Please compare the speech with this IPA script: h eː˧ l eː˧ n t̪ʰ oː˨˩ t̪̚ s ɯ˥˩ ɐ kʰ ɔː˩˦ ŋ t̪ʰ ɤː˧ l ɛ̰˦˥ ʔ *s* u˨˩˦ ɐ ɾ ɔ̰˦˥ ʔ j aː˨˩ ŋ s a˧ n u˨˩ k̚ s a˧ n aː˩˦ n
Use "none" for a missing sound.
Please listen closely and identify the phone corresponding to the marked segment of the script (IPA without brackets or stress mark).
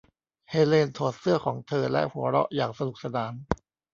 h